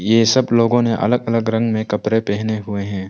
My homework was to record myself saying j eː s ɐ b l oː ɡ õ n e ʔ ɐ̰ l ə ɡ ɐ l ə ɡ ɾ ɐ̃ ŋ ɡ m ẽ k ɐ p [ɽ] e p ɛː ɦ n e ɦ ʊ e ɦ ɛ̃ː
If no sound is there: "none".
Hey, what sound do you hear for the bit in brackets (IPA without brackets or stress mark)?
ɾ